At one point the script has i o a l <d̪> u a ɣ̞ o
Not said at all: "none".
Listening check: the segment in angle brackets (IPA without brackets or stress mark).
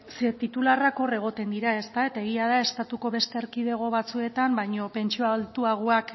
t̪